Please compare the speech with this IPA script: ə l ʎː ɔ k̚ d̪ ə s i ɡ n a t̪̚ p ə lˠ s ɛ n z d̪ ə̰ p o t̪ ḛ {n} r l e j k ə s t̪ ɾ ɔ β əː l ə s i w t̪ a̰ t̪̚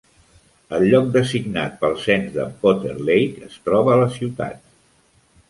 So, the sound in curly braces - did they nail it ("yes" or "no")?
no